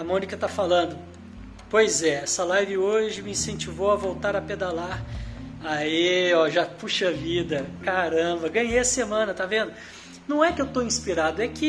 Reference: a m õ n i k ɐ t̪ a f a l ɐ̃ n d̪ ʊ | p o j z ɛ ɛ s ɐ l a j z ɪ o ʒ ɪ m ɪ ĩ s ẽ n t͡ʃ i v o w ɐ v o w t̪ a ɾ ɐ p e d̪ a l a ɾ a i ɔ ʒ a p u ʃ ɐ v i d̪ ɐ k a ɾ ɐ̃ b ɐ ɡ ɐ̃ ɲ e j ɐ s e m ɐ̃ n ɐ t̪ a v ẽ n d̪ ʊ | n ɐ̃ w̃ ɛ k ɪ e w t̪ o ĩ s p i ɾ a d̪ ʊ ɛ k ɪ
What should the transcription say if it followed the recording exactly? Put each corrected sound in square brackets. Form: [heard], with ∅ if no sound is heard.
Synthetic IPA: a m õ n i k ɐ t̪ a f a l ɐ̃ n d̪ ʊ | p o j z ɛ ɛ s ɐ l a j [v] ɪ o ʒ ɪ m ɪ ĩ s ẽ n t͡ʃ i v o w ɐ v o w t̪ a ɾ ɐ p e d̪ a l a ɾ a i ɔ ʒ a p u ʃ ɐ v i d̪ ɐ k a ɾ ɐ̃ b ɐ ɡ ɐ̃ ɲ e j ɐ s e m ɐ̃ n ɐ t̪ a v ẽ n d̪ ʊ | n ɐ̃ w̃ ɛ k ɪ e w t̪ o ĩ s p i ɾ a d̪ ʊ ɛ k ɪ